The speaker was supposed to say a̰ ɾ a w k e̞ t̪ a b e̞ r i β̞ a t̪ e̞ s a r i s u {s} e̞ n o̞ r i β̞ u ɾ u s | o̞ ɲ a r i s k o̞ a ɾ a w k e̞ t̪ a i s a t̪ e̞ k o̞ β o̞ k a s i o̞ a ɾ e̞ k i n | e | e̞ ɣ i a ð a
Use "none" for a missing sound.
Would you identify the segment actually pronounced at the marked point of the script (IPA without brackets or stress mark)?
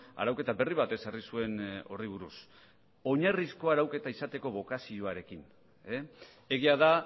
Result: none